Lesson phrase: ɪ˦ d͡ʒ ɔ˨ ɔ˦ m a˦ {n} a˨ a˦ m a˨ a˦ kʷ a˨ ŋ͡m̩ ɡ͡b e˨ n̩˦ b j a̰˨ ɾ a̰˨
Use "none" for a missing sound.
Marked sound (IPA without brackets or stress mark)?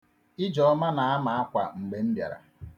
n